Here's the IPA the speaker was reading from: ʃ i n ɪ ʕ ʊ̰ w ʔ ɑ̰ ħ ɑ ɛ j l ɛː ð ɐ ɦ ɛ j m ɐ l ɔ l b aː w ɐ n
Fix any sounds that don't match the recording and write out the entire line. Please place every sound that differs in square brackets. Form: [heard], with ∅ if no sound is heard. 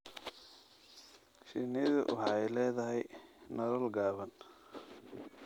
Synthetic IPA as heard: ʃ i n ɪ [ð] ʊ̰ w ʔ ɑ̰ ħ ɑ ɛ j l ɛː ð ɐ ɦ ɛ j [n] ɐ l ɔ l [ɡ] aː [β] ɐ n